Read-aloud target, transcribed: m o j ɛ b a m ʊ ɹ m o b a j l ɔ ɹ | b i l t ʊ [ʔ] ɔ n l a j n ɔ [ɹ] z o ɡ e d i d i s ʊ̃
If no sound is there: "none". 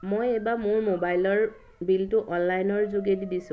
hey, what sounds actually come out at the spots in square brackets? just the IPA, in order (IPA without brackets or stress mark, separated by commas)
ʔ, ɹ